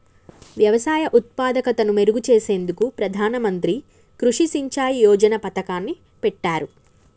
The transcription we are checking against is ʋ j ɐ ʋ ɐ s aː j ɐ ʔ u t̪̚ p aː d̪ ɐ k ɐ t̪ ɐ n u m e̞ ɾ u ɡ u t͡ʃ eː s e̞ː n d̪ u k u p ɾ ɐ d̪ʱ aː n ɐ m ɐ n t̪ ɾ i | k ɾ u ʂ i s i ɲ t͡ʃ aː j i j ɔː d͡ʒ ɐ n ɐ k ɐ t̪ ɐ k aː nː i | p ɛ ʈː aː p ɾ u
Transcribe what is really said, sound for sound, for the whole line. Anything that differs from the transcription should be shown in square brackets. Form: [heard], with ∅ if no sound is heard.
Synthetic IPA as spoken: ʋ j ɐ ʋ ɐ s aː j ɐ ʔ u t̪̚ p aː d̪ ɐ k ɐ t̪ ɐ n u m e̞ ɾ u ɡ u t͡ʃ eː s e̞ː n d̪ u k u p ɾ ɐ d̪ʱ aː n ɐ m ɐ n t̪ ɾ i | k ɾ u ʂ i s i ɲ t͡ʃ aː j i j ɔː d͡ʒ ɐ n ɐ [p] ɐ t̪ ɐ k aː nː i | p ɛ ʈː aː [∅] ɾ u